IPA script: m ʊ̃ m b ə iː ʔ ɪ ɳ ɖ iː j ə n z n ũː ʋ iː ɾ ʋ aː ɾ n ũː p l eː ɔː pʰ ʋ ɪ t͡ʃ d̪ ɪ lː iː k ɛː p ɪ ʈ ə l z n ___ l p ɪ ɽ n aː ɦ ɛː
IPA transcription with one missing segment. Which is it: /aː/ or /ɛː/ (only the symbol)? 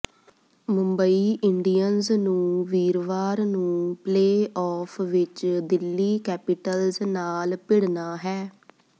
aː